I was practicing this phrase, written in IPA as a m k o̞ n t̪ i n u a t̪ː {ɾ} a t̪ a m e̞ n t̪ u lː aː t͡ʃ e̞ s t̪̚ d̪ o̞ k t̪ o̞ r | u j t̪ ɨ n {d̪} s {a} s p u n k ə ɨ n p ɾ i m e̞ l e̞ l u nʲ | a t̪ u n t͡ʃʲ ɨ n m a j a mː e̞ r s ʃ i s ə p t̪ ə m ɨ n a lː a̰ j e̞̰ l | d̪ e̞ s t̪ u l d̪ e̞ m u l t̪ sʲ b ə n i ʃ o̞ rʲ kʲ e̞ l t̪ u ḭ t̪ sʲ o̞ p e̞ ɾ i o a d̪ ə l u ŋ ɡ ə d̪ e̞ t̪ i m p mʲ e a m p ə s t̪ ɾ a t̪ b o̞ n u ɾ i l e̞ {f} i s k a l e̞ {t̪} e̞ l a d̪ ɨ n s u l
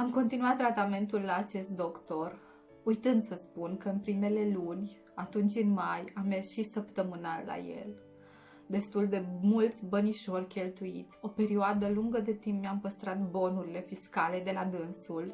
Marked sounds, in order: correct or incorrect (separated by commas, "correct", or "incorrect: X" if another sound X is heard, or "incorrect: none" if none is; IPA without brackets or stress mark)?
correct, correct, incorrect: ə, correct, incorrect: d̪